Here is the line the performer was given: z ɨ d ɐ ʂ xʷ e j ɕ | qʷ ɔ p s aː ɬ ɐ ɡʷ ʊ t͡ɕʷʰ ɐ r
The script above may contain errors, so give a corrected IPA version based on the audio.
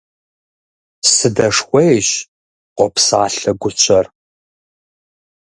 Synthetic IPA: s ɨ d ɐ ʂ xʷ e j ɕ | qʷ ɔ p s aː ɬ ɐ ɡʷ ʊ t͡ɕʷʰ ɐ r